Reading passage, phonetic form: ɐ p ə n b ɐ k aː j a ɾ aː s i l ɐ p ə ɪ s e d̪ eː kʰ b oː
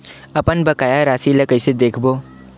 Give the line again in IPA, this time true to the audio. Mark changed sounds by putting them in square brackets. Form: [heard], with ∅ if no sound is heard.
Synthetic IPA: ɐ p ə n b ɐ k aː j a ɾ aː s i l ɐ [k] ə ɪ s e d̪ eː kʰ b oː